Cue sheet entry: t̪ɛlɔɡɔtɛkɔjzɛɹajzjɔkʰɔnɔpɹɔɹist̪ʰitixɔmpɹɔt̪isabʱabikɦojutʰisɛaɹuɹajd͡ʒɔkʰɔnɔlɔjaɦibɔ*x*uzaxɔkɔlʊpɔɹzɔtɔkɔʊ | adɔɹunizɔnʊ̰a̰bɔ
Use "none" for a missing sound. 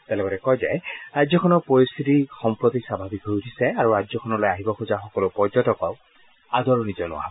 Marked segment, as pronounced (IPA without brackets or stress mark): x